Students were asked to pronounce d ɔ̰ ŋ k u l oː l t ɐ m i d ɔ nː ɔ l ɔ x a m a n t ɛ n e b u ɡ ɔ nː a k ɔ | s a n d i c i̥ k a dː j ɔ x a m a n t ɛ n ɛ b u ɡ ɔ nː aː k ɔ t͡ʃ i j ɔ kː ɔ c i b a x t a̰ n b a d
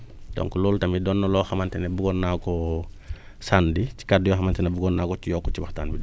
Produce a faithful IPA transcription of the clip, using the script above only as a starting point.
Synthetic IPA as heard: d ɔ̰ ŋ k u l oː l t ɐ m i d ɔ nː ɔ l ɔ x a m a n t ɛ n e b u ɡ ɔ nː a k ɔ | s a n d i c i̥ k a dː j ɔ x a m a n t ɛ n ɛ b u ɡ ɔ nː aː k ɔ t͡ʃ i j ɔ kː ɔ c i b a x t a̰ n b i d